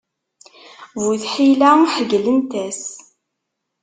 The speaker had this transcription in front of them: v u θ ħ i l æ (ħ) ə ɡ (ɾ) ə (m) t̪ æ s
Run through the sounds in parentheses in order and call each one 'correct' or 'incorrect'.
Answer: correct, incorrect, incorrect

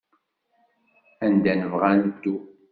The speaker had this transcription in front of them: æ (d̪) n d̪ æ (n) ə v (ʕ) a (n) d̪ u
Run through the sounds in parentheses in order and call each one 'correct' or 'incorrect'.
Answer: incorrect, correct, incorrect, correct

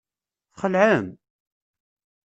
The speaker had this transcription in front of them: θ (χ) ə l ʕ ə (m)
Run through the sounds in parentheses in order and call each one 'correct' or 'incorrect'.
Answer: correct, correct

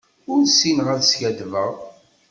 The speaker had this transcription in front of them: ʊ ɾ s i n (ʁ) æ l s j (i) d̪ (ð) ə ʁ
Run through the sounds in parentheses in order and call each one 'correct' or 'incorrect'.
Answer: correct, incorrect, incorrect

